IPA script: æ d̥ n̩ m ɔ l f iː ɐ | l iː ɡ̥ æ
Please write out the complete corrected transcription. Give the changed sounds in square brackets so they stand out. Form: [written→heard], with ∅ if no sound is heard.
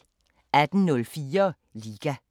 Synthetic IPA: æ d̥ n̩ [m→n] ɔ l f iː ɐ | l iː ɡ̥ æ